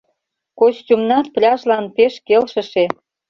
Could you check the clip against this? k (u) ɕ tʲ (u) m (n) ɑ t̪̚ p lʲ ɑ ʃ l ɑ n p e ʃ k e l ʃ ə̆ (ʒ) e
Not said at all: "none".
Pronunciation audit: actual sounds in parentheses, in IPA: o, u, n, ʃ

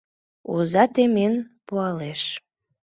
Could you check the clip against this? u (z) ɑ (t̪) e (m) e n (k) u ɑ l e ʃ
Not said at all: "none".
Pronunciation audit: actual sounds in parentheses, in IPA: z, t̪, m, p

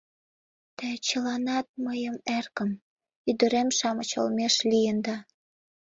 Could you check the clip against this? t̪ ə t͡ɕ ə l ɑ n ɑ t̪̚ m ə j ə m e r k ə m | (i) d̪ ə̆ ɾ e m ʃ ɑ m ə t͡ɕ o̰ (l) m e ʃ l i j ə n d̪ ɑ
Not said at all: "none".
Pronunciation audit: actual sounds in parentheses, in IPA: y, l

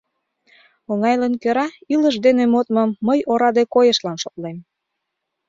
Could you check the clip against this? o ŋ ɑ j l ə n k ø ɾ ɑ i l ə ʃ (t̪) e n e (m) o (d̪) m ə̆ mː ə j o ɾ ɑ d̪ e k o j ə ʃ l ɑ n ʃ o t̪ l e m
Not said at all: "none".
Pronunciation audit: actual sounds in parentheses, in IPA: d̪, m, t̪

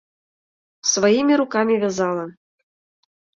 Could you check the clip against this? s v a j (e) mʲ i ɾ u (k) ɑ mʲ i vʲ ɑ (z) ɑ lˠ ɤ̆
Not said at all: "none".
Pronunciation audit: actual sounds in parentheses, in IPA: i, k, z

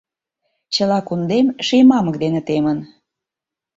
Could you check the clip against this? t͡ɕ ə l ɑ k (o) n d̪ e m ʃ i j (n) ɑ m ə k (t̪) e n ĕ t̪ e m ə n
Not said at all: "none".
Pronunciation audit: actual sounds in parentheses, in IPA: u, m, d̪

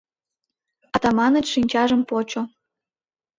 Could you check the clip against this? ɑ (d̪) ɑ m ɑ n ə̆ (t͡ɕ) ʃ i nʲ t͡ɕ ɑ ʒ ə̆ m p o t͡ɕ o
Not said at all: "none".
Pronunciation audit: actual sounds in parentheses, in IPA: t̪, t͡ɕ

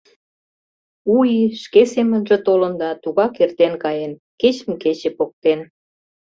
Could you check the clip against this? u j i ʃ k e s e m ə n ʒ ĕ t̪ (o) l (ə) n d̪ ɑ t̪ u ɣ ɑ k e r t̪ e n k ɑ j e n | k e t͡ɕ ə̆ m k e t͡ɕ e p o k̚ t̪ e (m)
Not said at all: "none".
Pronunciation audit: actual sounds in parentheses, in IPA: o, ə, n

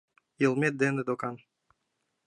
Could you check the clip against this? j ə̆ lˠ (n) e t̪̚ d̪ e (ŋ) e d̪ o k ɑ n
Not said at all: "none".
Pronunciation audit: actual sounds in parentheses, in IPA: m, n

